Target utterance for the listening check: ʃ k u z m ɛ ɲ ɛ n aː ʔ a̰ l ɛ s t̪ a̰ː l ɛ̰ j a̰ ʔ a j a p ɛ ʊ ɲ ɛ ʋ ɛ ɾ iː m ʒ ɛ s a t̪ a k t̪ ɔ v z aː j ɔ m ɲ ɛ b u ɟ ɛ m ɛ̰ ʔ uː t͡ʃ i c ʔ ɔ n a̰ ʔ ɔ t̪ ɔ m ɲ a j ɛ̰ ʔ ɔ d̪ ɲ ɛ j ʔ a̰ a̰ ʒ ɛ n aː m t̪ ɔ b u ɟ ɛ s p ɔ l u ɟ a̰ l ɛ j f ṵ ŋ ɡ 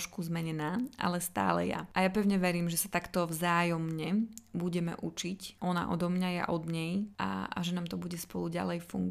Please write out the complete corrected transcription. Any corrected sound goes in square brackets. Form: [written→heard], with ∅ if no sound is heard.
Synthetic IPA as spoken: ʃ k u z m ɛ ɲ ɛ n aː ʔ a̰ l ɛ s t̪ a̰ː l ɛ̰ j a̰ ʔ a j a p ɛ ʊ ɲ ɛ ʋ ɛ ɾ iː m ʒ ɛ s a t̪ a k t̪ ɔ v z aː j ɔ m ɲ ɛ b u ɟ ɛ m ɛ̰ ʔ [uː→u] t͡ʃ i c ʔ ɔ n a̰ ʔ ɔ [t̪→d̪] ɔ m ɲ a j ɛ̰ ʔ ɔ d̪ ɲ ɛ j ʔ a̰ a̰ ʒ ɛ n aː m t̪ ɔ b u ɟ ɛ s p ɔ l u ɟ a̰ l ɛ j f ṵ ŋ ɡ